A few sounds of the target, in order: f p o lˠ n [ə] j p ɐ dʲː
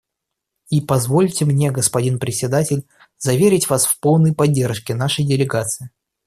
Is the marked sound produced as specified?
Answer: yes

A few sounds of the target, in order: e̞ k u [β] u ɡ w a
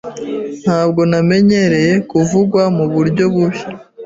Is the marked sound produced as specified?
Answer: no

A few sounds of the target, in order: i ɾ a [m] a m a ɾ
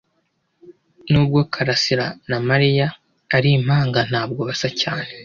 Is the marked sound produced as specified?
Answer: no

